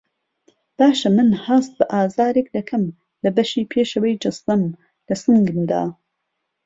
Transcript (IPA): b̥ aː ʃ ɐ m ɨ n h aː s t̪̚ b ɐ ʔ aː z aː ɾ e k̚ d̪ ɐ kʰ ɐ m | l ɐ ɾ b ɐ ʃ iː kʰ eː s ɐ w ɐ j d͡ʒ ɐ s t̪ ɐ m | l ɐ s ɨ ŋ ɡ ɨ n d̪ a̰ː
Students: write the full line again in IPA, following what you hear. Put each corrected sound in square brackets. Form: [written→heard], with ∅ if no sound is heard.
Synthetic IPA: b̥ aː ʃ ɐ m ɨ n h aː s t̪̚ b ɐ ʔ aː z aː ɾ e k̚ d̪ ɐ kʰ ɐ m | l ɐ [ɾ→∅] b ɐ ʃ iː [kʰ→pʰ] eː [s→ʃ] ɐ w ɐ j d͡ʒ ɐ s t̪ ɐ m | l ɐ s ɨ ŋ ɡ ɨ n d̪ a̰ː